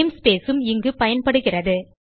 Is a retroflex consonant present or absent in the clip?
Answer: present